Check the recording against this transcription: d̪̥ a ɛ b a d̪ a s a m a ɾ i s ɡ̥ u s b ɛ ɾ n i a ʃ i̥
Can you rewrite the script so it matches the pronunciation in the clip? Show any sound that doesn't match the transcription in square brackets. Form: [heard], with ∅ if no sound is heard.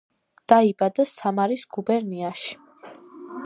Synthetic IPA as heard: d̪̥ a [i] b a d̪ a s a m a ɾ i s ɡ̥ u [∅] b ɛ ɾ n i a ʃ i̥

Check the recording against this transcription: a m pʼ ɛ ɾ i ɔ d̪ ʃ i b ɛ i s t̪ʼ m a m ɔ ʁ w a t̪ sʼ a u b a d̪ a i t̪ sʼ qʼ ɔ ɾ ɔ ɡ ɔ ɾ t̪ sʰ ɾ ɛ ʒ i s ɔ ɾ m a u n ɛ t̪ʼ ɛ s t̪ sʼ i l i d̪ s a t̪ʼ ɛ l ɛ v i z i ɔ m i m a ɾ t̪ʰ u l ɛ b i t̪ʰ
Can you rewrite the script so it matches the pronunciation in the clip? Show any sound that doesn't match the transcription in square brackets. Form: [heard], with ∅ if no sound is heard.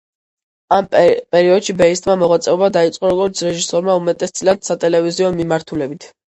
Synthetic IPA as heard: a m pʼ ɛ ɾ i ɔ d̪ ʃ i b ɛ i s t̪ʼ m a m ɔ ʁ w a t̪ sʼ [ɛ] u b a d̪ a i t̪ sʼ qʼ ɔ ɾ ɔ ɡ ɔ ɾ t̪ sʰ ɾ ɛ ʒ i s ɔ ɾ m a u [m] ɛ t̪ʼ ɛ s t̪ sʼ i l [a] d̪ s a t̪ʼ ɛ l ɛ v i z i ɔ m i m a ɾ t̪ʰ u l ɛ b i t̪ʰ

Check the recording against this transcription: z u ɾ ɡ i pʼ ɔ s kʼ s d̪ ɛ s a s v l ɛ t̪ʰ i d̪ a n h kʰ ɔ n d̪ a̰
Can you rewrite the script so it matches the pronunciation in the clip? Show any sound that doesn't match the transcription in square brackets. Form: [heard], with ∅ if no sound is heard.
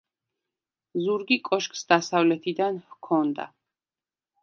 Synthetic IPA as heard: z u ɾ ɡ i [kʼ] ɔ [ʃ] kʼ s d̪ [a] s a [∅] v l ɛ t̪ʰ i d̪ a n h kʰ ɔ n d̪ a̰

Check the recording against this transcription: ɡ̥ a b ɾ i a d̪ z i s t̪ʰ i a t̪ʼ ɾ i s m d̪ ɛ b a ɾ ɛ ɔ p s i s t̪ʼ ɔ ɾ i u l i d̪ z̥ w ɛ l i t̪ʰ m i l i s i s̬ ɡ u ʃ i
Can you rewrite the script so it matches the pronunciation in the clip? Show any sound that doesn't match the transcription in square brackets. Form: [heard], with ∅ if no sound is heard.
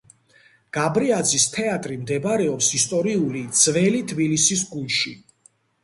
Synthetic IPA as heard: ɡ̥ a b ɾ i a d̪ z i s t̪ʰ [ɛ] a t̪ʼ ɾ i [∅] m d̪ ɛ b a ɾ ɛ ɔ p s i s t̪ʼ ɔ ɾ i u l i d̪ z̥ [v] ɛ l i t̪ʰ [b] i l i s i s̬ ɡ u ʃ i

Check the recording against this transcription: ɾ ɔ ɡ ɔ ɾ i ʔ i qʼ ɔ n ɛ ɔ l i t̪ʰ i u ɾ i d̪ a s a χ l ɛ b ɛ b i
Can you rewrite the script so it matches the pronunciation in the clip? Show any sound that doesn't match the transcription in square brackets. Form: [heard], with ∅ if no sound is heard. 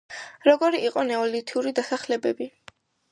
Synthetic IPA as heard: ɾ ɔ ɡ ɔ ɾ i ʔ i qʼ ɔ n ɛ ɔ l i t̪ʰ i u ɾ i d̪ a s a χ l ɛ b ɛ b i

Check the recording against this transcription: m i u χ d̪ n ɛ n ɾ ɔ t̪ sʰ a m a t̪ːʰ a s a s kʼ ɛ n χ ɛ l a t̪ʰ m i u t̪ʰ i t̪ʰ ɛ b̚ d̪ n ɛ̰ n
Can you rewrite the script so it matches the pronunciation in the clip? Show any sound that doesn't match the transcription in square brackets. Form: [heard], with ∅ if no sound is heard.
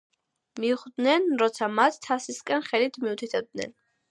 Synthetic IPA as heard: m i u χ d̪ n ɛ n ɾ ɔ t̪ sʰ a m a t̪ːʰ a s [i] s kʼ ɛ n χ ɛ l [i] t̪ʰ m i u t̪ʰ i t̪ʰ ɛ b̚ d̪ n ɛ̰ n

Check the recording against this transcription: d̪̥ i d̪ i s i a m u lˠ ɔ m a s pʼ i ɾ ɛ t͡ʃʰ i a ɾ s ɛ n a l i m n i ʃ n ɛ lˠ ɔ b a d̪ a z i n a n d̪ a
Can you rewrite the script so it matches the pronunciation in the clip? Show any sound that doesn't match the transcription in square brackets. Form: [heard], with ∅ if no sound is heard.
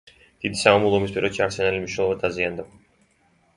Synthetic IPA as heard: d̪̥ i d̪ i s [a] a m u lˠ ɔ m [i] s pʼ i ɾ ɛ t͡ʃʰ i a ɾ s ɛ n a l i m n i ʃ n ɛ lˠ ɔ [v] a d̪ a z i [∅] a n d̪ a

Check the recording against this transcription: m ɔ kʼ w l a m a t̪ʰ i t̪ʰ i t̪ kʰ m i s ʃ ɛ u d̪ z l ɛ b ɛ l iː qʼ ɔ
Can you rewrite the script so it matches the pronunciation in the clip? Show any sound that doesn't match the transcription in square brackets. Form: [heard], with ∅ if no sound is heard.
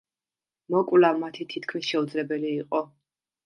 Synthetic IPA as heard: m ɔ kʼ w l a m a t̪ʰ i t̪ʰ i t̪ kʰ m i s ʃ ɛ u d̪ z l ɛ b ɛ l iː qʼ ɔ

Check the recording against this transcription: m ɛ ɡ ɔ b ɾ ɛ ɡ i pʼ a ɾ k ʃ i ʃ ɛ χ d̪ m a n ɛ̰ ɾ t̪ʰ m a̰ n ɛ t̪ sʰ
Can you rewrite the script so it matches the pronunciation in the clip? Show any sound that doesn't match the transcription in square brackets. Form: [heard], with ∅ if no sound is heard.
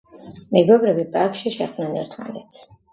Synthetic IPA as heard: m ɛ ɡ ɔ b ɾ ɛ [b] i pʼ a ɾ k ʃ i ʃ ɛ χ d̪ [n] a n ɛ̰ ɾ t̪ʰ m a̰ n ɛ t̪ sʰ

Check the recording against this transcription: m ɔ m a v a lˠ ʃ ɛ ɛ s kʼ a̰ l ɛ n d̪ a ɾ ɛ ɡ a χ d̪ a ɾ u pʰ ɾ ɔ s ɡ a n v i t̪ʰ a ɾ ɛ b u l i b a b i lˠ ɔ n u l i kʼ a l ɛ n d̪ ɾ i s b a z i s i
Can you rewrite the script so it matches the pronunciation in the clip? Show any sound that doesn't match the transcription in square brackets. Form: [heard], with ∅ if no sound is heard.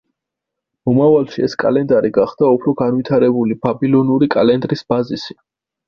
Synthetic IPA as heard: m ɔ m a v a lˠ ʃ [i] ɛ s kʼ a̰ l ɛ n d̪ a ɾ [i] ɡ a χ d̪ a [∅] u pʰ ɾ ɔ [∅] ɡ a n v i t̪ʰ a ɾ ɛ b u l i b a b i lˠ ɔ n u [ɾ] i kʼ a l ɛ n d̪ ɾ i s b a z i s i

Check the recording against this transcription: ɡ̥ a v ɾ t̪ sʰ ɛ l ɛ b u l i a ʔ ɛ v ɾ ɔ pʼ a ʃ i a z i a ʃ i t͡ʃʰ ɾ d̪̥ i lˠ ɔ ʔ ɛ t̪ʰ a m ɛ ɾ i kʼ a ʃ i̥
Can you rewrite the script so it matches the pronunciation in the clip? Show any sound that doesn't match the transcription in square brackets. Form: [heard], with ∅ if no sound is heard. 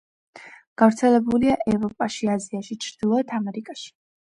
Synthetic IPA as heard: ɡ̥ a v ɾ t̪ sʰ ɛ l ɛ b u l i a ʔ ɛ v ɾ ɔ pʼ a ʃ i a z i a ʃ i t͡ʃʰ ɾ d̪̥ i lˠ ɔ [∅] ɛ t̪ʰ a m ɛ ɾ i kʼ a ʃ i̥

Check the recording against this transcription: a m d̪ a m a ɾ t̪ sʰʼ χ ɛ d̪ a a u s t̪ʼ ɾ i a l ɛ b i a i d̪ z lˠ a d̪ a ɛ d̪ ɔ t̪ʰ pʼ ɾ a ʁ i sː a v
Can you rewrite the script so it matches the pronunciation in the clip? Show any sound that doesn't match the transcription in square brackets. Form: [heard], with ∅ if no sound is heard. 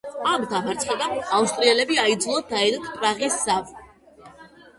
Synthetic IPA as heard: a m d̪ a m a ɾ t̪ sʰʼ χ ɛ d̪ a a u s t̪ʼ ɾ i [ɛ] l ɛ b i a i d̪ z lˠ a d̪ a ɛ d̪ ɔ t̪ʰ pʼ ɾ a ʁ i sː a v

